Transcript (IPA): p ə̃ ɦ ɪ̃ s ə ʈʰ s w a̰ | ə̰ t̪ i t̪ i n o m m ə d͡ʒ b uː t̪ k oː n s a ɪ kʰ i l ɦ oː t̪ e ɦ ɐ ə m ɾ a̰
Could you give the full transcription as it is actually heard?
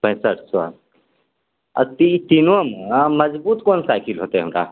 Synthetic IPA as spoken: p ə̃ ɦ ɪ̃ s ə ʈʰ s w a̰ | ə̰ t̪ i t̪ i n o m m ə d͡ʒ b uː t̪ k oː n s a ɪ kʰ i l ɦ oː t̪ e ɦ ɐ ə m ɾ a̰